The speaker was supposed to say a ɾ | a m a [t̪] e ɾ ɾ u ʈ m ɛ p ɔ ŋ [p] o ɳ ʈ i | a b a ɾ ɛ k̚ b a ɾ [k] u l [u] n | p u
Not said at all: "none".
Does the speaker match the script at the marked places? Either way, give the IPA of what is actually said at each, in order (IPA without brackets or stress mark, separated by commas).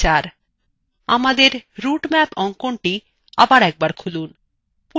d̪, k, kʰ, u